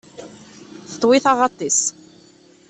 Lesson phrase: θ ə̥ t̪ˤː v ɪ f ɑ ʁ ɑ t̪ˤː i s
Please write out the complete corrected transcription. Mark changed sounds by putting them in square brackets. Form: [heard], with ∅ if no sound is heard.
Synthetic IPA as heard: θ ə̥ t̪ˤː [w] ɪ [θ] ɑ ʁ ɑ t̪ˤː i s

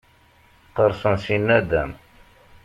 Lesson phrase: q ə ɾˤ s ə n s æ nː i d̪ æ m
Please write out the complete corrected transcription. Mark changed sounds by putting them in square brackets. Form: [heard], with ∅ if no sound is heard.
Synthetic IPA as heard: q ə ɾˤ s ə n s [i] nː [æ] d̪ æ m

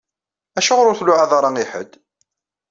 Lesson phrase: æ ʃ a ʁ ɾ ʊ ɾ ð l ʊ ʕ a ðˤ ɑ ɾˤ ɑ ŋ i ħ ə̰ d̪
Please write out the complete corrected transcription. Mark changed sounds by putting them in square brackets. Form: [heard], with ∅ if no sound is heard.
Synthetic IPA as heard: æ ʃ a ʁ ɾ ʊ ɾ [θ] l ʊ ʕ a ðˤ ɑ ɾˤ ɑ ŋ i ħ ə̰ d̪

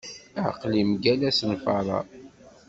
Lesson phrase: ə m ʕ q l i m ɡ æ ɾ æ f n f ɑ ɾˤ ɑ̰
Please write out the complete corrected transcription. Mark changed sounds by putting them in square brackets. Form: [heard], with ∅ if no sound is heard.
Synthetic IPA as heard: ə [∅] ʕ q l i m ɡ æ [l] æ [s] n f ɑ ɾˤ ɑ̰

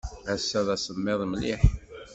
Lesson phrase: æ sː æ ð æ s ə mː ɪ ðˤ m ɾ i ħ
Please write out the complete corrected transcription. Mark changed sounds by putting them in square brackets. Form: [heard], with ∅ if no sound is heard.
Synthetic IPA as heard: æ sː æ ð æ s ə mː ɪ ðˤ m [l] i ħ

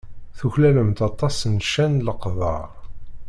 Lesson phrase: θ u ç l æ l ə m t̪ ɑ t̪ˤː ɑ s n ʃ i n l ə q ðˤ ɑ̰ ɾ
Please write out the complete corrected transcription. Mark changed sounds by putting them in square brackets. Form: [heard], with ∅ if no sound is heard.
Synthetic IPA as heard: θ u ç l æ l ə m t̪ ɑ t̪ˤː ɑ s n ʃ [æ] n l ə q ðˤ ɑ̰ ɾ

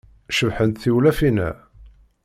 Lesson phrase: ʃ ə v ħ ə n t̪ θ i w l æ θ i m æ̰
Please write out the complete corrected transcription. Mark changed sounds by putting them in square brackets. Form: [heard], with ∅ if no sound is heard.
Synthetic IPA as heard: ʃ ə v ħ ə n t̪ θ i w l æ [f] i [n] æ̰

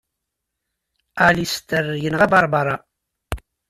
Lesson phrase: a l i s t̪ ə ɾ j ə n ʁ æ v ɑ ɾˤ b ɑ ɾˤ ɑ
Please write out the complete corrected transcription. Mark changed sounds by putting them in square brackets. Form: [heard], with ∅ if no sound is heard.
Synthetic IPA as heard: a l i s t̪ ə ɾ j ə n ʁ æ [b] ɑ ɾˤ b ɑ ɾˤ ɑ

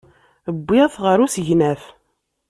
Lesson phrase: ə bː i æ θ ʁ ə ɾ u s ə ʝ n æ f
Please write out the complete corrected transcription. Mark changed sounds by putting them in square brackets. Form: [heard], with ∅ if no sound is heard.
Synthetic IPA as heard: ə bː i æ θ ʁ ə ɾ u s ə ʝ n æ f

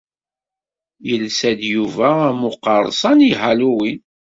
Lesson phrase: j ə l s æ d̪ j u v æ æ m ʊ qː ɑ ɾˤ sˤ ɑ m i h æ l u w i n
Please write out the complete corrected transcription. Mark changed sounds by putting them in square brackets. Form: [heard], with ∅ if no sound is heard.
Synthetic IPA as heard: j ə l s æ d̪ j u v æ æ m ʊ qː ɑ ɾˤ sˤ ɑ [n] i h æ l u w i n

